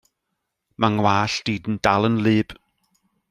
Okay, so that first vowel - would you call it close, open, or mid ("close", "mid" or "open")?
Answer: open